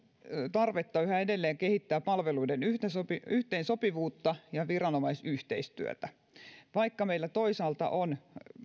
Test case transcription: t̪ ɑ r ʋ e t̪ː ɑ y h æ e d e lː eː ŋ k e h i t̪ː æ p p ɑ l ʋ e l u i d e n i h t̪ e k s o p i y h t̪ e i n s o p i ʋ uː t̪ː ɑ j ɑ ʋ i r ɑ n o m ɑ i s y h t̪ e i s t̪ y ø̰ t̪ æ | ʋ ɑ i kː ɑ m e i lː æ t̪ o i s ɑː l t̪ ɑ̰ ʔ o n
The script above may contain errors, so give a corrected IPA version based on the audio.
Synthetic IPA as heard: t̪ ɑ r ʋ e t̪ː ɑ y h æ e d e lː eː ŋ k e h i t̪ː æː p p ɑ l ʋ e l u i d e n y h t̪ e s o p i y h t̪ e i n s o p i ʋ uː t̪ː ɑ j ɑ ʋ i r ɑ n o m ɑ i s y h t̪ e i s t̪ y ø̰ t̪ æ | ʋ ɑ i kː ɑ m e i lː æ t̪ o i s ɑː l t̪ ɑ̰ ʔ o n